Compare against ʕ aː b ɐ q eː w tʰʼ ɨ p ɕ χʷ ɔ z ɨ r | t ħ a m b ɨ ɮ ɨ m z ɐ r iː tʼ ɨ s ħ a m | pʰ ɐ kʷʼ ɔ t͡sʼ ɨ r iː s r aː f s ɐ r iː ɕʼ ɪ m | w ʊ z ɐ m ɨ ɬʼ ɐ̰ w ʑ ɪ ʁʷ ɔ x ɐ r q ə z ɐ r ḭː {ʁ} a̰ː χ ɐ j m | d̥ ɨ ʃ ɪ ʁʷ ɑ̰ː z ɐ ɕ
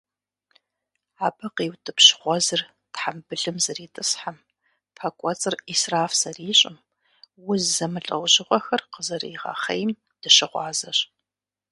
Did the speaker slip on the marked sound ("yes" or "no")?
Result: no